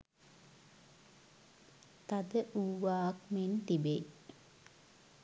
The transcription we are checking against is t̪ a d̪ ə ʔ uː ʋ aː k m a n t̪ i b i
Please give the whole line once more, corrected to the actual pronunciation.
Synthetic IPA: t̪ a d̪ ə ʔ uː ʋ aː k m e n t̪ i b e